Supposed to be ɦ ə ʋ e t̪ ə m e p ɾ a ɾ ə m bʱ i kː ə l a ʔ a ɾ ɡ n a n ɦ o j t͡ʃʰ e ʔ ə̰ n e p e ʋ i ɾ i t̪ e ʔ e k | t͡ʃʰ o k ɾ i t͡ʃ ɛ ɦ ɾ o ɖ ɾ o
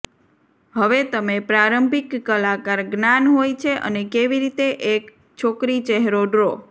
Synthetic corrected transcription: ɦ ə ʋ e t̪ ə m e p ɾ a ɾ ə m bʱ i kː ə l a k a ɾ ɡ n a n ɦ o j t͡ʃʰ e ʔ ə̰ n e k e ʋ i ɾ i t̪ e ʔ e k | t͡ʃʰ o k ɾ i t͡ʃ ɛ ɦ ɾ o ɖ ɾ o

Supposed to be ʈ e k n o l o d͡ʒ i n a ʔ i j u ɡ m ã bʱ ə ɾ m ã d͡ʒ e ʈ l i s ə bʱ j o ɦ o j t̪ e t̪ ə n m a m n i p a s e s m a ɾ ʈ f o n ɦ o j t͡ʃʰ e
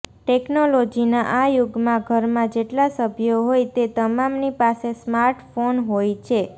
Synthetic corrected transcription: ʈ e k n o l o d͡ʒ i n a ʔ a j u ɡ m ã ɡʱ ə ɾ m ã d͡ʒ e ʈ l a s ə bʱ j o ɦ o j t̪ e t̪ ə m a m n i p a s e s m a ɾ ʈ f o n ɦ o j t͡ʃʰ e

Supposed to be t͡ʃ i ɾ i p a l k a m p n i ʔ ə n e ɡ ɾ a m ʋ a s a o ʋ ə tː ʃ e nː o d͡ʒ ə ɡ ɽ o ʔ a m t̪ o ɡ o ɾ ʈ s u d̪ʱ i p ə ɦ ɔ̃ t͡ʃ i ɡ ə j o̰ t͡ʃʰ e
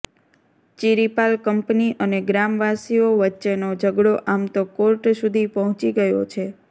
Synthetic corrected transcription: t͡ʃ i ɾ i p a l k ə m p n i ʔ ə n e ɡ ɾ a m ʋ a s i o ʋ ə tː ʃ e n o d͡ʒ ə ɡ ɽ o ʔ a m t̪ o k o ɾ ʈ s u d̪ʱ i p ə ɦ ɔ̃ t͡ʃ i ɡ ə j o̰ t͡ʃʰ e

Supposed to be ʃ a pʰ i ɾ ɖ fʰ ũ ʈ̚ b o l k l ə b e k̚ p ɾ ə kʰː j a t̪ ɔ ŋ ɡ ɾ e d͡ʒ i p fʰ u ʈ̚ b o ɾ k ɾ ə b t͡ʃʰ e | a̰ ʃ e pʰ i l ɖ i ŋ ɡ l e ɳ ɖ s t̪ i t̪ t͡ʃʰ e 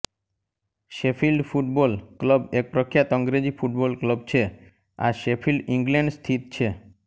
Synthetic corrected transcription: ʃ e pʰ i l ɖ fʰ u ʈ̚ b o l k l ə b e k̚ p ɾ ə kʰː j a t̪ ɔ ŋ ɡ ɾ e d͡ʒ i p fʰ u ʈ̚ b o l k l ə b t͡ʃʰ e | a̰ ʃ e pʰ i l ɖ i ŋ ɡ l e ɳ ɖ s t̪ʰ i t̪ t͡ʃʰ e

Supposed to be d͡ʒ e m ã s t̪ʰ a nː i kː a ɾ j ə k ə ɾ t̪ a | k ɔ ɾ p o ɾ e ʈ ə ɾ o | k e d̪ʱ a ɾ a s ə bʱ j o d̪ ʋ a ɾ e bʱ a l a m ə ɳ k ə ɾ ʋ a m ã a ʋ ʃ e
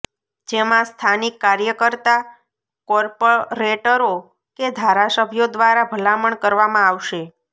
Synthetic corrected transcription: d͡ʒ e m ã s t̪ʰ a n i kː a ɾ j ə k ə ɾ t̪ a | k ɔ ɾ p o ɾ e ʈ ə ɾ o | k e d̪ʱ a ɾ a s ə bʱ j o d̪ ʋ a ɾ a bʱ ə l a m ə ɳ k ə ɾ ʋ a m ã a ʋ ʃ e

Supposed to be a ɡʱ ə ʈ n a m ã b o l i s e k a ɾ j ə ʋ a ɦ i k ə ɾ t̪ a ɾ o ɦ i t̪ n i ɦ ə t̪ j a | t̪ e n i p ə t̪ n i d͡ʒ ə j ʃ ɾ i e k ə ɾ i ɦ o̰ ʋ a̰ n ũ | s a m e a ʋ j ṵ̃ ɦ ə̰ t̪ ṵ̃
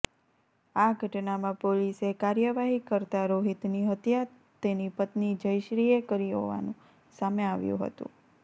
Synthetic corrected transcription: a ɡʱ ə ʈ n a m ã p o l i s e k a ɾ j ə ʋ a ɦ i k ə ɾ t̪ a ɾ o ɦ i t̪ n i ɦ ə t̪ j a | t̪ e n i p ə t̪ n i d͡ʒ ə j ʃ ɾ i e k ə ɾ i ɦ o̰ ʋ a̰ n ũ | s a m e a ʋ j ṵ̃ ɦ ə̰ t̪ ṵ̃

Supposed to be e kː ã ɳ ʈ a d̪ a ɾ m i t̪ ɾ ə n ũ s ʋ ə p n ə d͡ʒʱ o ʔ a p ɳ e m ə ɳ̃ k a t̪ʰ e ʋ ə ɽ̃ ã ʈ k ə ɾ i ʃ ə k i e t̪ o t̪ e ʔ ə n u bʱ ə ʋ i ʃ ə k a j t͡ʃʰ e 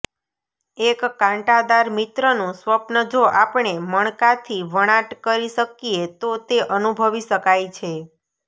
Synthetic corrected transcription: e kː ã ɳ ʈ a d̪ a ɾ m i t̪ ɾ ə n ũ s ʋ ə p n ə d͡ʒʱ o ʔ a p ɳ e m ə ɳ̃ k a t̪ʰ i ʋ ə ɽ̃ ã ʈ k ə ɾ i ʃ ə k i e t̪ o t̪ e ʔ ə n u bʱ ə ʋ i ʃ ə k a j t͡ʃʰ e

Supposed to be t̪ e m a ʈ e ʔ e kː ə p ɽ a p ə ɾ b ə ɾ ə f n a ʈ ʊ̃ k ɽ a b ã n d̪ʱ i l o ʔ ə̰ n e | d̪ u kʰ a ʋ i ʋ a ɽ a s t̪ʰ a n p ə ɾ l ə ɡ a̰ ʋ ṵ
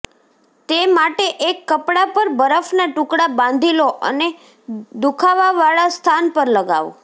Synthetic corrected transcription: t̪ e m a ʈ e ʔ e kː ə p ɽ a p ə ɾ b ə ɾ ə f n a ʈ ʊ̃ k ɽ a b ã n d̪ʱ i l o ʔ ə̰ n e | d̪ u kʰ a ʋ a ʋ a ɭ a s t̪ʰ a n p ə ɾ l ə ɡ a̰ ʋ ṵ

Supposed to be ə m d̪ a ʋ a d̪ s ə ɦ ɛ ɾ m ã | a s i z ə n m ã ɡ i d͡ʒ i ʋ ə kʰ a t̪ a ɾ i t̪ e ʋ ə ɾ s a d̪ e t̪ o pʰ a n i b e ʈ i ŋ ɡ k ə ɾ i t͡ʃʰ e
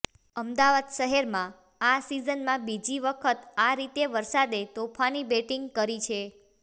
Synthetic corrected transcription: ə m d̪ a ʋ a d̪ ʃ ə ɦ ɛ ɾ m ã | a s i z ə n m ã b i d͡ʒ i ʋ ə kʰ ə t̪ a ɾ i t̪ e ʋ ə ɾ s a d̪ e t̪ o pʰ a n i b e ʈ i ŋ ɡ k ə ɾ i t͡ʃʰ e

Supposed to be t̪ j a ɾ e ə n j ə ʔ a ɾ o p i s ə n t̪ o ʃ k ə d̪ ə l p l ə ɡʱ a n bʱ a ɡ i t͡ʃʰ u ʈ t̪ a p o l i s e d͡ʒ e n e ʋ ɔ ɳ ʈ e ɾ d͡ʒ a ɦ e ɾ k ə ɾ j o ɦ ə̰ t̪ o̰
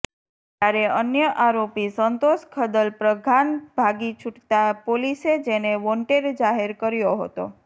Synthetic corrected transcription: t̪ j a ɾ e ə n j ə ʔ a ɾ o p i s ə n t̪ o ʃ kʰ ə d̪ ə l p ɾ ə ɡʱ a n bʱ a ɡ i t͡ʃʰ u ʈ t̪ a p o l i s e d͡ʒ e n e ʋ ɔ ɳ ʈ e ɾ d͡ʒ a ɦ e ɾ k ə ɾ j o ɦ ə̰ t̪ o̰

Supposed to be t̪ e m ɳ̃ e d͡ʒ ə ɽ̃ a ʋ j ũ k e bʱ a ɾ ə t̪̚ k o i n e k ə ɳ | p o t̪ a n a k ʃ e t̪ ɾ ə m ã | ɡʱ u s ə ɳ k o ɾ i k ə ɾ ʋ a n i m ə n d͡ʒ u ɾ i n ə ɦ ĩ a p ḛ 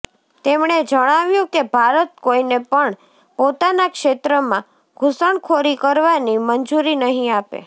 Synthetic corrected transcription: t̪ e m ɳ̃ e d͡ʒ ə ɽ̃ a ʋ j ũ k e bʱ a ɾ ə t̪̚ k o i n e p ə ɳ | p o t̪ a n a k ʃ e t̪ ɾ ə m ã | ɡʱ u s ə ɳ kʰ o ɾ i k ə ɾ ʋ a n i m ə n d͡ʒ u ɾ i n ə ɦ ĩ a p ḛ

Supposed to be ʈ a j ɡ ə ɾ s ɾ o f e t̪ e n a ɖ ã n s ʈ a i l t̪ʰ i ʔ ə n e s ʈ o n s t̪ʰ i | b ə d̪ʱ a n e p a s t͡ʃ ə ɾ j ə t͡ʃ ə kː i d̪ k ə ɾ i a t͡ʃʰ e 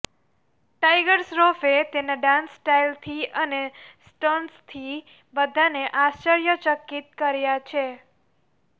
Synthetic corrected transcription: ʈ a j ɡ ə ɾ s ɾ o f e t̪ e n a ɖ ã n s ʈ a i l t̪ʰ i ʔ ə n e s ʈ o n s t̪ʰ i | b ə d̪ʱ a n e ʔ a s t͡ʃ ə ɾ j ə t͡ʃ ə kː i t̪ k ə ɾ j a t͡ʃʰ e

